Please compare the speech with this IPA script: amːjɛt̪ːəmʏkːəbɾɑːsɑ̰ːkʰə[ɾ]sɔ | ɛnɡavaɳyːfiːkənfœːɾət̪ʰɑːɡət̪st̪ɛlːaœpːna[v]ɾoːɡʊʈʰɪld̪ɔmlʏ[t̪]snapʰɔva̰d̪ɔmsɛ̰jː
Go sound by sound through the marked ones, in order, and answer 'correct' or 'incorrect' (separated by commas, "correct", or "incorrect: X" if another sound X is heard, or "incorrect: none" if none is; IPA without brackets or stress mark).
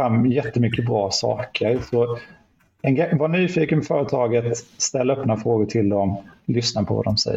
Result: correct, incorrect: f, incorrect: none